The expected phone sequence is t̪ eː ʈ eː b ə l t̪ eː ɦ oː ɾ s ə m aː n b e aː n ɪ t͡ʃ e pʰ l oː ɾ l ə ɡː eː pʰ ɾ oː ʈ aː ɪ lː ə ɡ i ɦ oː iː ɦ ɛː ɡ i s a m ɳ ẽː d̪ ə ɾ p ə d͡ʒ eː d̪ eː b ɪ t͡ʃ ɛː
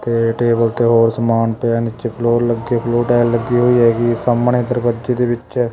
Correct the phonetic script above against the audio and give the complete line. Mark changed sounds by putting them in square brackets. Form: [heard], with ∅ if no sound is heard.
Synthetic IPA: t̪ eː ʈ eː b ə l t̪ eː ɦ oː ɾ s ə m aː n [p] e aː n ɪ t͡ʃ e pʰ l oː ɾ l ə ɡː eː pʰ [l] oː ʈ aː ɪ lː ə ɡ i ɦ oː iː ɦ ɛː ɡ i s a m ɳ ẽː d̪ ə ɾ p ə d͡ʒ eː d̪ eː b ɪ t͡ʃ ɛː